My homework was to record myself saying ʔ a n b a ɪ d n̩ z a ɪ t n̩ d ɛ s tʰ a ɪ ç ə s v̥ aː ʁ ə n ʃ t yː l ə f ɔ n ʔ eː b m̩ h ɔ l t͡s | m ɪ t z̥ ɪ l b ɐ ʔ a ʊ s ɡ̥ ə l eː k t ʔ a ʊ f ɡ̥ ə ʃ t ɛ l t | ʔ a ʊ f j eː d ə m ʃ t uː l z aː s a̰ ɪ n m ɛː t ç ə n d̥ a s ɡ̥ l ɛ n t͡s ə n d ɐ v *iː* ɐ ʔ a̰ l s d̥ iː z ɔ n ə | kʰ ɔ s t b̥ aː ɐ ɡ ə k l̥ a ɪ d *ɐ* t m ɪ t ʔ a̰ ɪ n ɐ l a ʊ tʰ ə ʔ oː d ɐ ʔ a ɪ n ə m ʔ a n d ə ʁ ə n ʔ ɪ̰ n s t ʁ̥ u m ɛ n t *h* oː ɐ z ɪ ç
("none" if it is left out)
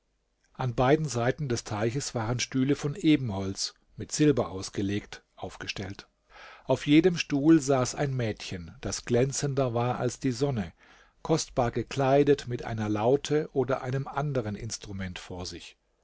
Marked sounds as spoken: aː, ə, f

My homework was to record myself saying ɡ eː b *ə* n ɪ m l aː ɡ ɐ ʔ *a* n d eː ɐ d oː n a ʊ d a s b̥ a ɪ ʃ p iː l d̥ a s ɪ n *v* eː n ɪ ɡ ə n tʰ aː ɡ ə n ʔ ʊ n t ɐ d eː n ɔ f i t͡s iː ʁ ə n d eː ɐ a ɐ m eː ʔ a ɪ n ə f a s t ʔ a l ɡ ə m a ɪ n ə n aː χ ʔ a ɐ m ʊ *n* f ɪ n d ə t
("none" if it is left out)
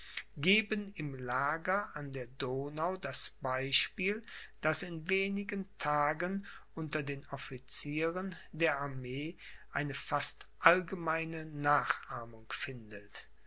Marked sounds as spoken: ə, a, v, ŋ

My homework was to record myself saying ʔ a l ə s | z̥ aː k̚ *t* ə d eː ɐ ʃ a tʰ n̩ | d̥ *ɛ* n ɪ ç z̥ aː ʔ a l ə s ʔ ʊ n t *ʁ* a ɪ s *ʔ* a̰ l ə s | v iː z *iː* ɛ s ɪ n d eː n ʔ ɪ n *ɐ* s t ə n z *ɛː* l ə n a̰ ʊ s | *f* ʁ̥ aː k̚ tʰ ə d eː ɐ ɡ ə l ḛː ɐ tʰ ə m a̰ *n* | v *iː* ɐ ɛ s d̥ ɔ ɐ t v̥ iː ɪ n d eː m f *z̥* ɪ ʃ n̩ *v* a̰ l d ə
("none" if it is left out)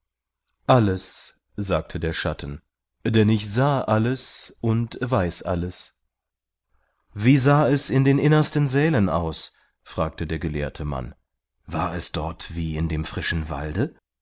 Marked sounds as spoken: tʰ, ɛ, v, ʔ, aː, ɐ, ɛː, f, n, aː, ʁ̥, v

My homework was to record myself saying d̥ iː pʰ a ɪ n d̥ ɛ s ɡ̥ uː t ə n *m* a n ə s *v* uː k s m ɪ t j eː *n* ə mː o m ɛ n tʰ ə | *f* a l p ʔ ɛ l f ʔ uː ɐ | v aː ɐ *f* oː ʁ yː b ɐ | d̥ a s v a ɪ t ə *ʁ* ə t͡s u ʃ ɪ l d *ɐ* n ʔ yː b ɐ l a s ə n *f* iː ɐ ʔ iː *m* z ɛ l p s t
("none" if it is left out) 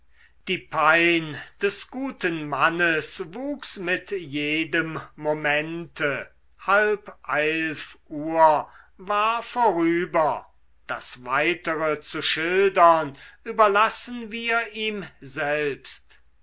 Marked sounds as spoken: m, v, d, h, f, ʁ, ɐ, v, m

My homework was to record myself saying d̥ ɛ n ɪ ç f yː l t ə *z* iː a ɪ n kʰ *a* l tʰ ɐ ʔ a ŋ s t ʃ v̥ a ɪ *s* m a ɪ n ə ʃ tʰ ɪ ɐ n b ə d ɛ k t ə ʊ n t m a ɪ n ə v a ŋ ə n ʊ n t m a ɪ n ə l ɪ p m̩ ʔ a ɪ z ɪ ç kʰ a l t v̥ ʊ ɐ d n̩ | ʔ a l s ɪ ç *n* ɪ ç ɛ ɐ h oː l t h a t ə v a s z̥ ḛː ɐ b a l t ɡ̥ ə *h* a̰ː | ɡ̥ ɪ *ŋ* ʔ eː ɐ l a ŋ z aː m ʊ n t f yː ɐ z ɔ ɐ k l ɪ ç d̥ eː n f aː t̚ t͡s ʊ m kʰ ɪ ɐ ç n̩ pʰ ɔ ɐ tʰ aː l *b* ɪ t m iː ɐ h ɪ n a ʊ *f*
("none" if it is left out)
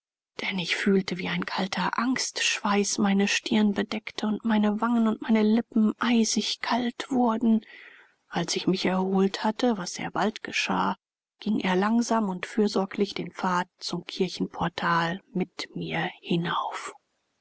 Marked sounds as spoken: v, a, s, m, ʃ, ŋ, m, f

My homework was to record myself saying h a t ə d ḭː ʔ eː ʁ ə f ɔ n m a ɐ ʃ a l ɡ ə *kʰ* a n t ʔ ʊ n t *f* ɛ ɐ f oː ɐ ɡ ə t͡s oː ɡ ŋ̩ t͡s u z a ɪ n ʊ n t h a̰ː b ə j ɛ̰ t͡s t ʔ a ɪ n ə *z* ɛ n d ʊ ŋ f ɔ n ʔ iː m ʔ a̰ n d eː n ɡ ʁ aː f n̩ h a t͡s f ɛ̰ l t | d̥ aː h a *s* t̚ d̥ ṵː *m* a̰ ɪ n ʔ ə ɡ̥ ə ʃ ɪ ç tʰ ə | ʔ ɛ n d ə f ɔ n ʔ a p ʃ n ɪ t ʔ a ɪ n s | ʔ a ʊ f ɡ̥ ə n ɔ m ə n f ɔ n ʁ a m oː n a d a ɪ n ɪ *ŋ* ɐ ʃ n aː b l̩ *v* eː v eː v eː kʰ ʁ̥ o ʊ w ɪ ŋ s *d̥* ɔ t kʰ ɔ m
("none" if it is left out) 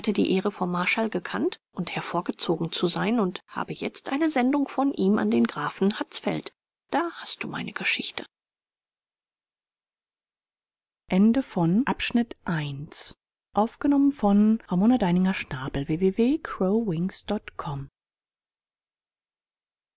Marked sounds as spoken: kʰ, h, z, s, m, ŋ, v, d̥

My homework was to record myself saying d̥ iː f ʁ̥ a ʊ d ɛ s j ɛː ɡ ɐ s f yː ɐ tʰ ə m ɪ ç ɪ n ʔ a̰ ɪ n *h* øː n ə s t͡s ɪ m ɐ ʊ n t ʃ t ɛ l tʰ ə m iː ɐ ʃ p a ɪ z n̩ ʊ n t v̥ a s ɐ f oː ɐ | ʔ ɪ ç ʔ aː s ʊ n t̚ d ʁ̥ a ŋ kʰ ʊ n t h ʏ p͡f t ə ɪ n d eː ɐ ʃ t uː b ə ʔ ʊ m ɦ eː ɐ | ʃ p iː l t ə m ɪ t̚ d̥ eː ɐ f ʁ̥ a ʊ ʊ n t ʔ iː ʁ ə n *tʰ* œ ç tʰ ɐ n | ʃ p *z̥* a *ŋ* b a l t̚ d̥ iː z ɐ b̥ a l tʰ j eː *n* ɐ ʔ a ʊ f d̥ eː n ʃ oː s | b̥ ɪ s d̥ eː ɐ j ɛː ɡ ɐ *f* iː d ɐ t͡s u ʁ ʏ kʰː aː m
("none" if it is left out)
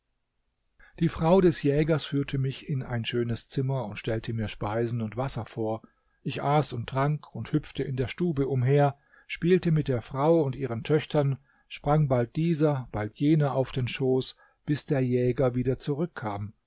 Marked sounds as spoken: ʃ, tʰ, ʁ̥, ŋ, n, v

